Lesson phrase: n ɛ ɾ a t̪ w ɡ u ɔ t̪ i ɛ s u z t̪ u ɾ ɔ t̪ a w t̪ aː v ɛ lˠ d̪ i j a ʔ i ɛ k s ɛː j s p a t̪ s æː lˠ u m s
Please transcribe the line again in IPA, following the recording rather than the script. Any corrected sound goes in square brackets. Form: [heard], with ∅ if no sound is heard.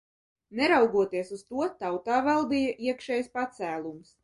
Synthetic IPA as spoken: n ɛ ɾ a [∅] w ɡ u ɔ t̪ i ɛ s u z t̪ u [∅] ɔ t̪ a w t̪ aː v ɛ lˠ d̪ i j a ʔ i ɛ k [ʃ] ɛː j s p a t̪ s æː lˠ u m s